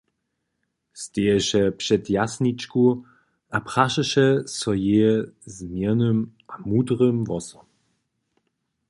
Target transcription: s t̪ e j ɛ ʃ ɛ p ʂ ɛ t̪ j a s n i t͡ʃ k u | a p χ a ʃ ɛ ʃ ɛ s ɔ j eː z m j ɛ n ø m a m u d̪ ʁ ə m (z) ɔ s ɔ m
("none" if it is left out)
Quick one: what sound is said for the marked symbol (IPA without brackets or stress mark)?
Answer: v